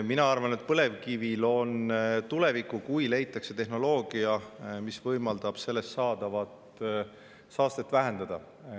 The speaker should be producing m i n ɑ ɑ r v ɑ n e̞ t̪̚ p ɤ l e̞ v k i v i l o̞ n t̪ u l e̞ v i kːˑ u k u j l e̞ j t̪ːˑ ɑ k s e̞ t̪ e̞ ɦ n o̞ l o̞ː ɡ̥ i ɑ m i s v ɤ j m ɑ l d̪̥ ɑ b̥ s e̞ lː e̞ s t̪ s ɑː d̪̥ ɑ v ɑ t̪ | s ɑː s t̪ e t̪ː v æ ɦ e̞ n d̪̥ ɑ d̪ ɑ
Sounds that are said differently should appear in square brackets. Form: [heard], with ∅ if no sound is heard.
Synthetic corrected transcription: m i n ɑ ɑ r v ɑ n e̞ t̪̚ p ɤ l e̞ v k i v i l o̞ n t̪ u l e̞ v i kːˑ u k u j l e̞ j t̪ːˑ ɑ k s e̞ t̪ e̞ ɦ n o̞ l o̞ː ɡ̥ i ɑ m i s v ɤ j m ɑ l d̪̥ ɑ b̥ s e̞ lː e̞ s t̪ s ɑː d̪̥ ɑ v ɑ t̪ | s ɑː s t̪ e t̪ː v æ ɦ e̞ n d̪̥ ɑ d̪ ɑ